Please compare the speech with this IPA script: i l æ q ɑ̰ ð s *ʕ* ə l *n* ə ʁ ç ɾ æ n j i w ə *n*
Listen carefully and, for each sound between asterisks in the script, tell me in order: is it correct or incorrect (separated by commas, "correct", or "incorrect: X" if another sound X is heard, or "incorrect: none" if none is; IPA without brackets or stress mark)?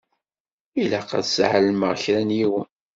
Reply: correct, incorrect: m, correct